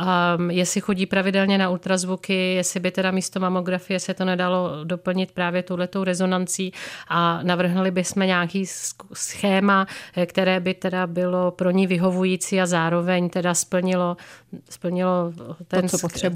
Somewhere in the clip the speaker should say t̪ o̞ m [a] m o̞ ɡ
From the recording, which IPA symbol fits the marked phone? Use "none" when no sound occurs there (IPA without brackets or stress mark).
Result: a